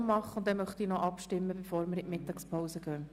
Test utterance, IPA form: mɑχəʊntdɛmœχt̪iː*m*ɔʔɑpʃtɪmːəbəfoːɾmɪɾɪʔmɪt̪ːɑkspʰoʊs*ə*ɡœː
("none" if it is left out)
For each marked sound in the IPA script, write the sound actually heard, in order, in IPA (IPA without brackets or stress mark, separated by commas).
n, ə